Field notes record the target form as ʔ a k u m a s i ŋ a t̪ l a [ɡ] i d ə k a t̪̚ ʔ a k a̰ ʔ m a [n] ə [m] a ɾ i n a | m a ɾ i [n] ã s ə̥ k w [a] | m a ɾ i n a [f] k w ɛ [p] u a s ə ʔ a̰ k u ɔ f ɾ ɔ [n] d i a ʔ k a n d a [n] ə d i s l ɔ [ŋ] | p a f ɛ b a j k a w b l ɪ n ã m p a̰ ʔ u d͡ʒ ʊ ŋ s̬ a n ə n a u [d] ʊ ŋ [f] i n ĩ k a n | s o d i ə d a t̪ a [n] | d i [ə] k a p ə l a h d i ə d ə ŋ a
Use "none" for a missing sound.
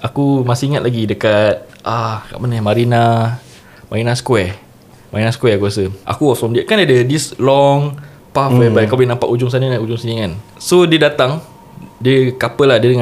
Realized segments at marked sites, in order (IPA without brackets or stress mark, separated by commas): ɡ, n, m, n, ɛ, s, k, m, d, ŋ, d͡ʒ, s, ŋ, ə